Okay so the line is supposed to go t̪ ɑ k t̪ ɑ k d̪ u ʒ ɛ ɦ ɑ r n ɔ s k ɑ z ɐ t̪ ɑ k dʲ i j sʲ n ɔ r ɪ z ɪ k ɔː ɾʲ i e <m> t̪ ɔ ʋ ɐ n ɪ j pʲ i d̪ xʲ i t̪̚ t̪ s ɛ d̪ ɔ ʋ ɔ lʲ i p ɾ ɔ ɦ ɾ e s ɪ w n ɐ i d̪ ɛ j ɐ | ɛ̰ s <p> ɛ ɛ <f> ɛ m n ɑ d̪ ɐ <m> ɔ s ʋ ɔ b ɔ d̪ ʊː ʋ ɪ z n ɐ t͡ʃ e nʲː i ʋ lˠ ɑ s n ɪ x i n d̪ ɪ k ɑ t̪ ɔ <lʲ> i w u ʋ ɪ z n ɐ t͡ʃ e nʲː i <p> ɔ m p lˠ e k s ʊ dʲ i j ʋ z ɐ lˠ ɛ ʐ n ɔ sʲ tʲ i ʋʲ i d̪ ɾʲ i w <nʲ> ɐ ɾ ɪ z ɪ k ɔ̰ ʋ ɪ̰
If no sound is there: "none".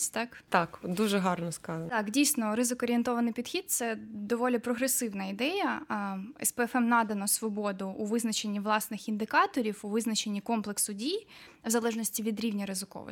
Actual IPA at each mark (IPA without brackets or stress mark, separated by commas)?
n, p, f, n, ɾʲ, k, nʲ